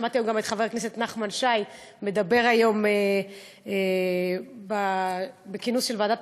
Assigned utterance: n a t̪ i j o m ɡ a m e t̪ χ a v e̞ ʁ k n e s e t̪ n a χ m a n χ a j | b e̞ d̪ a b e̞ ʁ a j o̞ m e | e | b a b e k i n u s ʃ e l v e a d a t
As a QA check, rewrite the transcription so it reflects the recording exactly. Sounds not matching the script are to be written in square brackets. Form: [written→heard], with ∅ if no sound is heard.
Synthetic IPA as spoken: [n→m] a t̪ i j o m ɡ a m e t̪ χ a v e̞ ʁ k n e s e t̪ n a χ m a n [χ→ʃ] a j | [b→m] e̞ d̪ a b e̞ ʁ a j o̞ m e | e | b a b e k i n u s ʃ e l v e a d a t